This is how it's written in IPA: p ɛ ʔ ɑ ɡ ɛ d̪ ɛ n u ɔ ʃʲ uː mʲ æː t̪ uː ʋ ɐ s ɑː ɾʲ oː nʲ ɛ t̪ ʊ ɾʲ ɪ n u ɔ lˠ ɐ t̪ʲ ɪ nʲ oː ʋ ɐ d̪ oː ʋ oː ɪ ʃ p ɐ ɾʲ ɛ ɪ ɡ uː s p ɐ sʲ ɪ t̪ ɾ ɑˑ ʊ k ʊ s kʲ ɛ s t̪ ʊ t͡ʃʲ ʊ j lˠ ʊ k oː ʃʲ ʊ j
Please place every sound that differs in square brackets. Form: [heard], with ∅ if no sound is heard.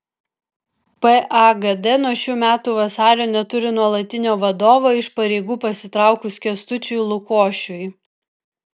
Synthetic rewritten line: p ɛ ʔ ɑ ɡ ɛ d̪ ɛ n u ɔ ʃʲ uː mʲ æː t̪ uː ʋ ɐ s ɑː ɾʲ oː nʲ ɛ t̪ ʊ ɾʲ ɪ n u ɔ lˠ ɐ t̪ʲ ɪ nʲ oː ʋ ɐ d̪ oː ʋ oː ɪ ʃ p ɐ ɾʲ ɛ ɪ ɡ uː [∅] p ɐ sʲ ɪ t̪ ɾ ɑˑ ʊ k ʊ s kʲ ɛ s t̪ ʊ t͡ʃʲ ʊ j lˠ ʊ k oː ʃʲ ʊ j